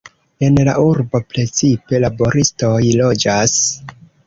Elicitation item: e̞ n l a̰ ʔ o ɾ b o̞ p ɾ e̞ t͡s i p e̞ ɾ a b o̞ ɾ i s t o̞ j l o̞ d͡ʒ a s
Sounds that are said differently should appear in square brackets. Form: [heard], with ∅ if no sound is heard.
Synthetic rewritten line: e̞ n l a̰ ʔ [u] ɾ b o̞ p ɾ e̞ t͡s i p e̞ [l] a b o̞ ɾ i s t o̞ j l o̞ d͡ʒ a s

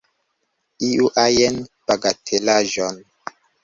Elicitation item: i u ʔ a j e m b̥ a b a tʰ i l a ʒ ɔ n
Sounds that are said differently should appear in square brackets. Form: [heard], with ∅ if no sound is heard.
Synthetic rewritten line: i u ʔ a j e [n] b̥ a [ɡ] a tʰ [e] l a ʒ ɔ n

